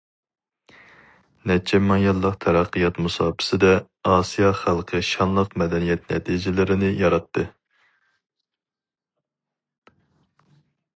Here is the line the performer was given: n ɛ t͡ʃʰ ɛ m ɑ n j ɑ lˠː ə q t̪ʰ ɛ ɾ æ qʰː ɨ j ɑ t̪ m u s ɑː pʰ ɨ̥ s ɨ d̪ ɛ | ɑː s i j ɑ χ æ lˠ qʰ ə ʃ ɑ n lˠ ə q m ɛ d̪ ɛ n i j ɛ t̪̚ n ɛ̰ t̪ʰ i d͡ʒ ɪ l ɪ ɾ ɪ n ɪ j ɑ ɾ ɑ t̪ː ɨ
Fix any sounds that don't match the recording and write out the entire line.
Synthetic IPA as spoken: n ɛ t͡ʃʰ ɛ m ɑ ŋ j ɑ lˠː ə q t̪ʰ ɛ ɾ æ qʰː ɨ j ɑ t̪ m u s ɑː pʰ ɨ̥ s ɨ d̪ ɛ | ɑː s i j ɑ χ æ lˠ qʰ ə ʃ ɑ n lˠ ə q m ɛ d̪ ɛ n i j ɛ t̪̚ n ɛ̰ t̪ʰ i d͡ʒ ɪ l ɪ ɾ ɪ n ɪ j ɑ ɾ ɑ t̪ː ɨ